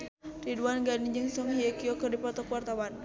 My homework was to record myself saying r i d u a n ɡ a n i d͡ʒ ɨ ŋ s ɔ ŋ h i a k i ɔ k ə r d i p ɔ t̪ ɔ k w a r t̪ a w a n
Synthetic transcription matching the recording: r i d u a n ɡ a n i d͡ʒ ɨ ŋ s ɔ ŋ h i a k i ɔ k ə r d i p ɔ t̪ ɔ k w a r t̪ a w a n